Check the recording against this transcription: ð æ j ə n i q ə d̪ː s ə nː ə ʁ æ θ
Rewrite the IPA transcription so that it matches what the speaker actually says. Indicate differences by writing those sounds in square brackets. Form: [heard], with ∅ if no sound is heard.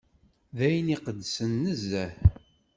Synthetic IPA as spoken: ð æ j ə n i q ə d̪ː s ə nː ə [z] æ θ

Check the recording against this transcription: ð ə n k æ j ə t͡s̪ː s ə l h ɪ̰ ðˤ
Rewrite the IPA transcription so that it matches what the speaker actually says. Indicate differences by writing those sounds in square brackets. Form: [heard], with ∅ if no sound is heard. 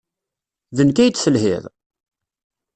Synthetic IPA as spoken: ð ə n k æ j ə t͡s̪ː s ə l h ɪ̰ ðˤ

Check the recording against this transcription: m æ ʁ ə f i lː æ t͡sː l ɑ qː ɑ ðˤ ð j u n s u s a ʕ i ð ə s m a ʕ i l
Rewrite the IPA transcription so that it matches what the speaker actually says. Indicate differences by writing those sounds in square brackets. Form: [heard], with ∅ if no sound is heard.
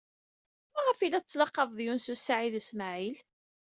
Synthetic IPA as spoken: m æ ʁ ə f i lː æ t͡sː l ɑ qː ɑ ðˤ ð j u n s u s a ʕ i ð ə s m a ʕ i l

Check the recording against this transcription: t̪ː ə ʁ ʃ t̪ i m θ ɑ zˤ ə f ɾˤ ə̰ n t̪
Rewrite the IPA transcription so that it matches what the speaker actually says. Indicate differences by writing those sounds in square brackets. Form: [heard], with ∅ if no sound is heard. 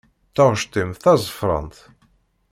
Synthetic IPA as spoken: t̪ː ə ʁ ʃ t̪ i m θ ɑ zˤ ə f ɾˤ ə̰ n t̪

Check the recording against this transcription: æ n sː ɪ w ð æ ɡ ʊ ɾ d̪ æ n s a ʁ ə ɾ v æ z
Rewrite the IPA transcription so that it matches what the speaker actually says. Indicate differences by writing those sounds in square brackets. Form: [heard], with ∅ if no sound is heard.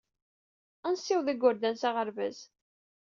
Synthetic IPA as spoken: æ n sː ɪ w ð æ ɡ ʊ ɾ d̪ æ n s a ʁ ə ɾ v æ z

